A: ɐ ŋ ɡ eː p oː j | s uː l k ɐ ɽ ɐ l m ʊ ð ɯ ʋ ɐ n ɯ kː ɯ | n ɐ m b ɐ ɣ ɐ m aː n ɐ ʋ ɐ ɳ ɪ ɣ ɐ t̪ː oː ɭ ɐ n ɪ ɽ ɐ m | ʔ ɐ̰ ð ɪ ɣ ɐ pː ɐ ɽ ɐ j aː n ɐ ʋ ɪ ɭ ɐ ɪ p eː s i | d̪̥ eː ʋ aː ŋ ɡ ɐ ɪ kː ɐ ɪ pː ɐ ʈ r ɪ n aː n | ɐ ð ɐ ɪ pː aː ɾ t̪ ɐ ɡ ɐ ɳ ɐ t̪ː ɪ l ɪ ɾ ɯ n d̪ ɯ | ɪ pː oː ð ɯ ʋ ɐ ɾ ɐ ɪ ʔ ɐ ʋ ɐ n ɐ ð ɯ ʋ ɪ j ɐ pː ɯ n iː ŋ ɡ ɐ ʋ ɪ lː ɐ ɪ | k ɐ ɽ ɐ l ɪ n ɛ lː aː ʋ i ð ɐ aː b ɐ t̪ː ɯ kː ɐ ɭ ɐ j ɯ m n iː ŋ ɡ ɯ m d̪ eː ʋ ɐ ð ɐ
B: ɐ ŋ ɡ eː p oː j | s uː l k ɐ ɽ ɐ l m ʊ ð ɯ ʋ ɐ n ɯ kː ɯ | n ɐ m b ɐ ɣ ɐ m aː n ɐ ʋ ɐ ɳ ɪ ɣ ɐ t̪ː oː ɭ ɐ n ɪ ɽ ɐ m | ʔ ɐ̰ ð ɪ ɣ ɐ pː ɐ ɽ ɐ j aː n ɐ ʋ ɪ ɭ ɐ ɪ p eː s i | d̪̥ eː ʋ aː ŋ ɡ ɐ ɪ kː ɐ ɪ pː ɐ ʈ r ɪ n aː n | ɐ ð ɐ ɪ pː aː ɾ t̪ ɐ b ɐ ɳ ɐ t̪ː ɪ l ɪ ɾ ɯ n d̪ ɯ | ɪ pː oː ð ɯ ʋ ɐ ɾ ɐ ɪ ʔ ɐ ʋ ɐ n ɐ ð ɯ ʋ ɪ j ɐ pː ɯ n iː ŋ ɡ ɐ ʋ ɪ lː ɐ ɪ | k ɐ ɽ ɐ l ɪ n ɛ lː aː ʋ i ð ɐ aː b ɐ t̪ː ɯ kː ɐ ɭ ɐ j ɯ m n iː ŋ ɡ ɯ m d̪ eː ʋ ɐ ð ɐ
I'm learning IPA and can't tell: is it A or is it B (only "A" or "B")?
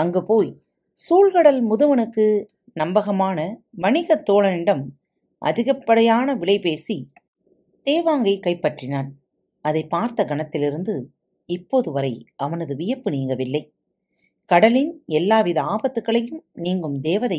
A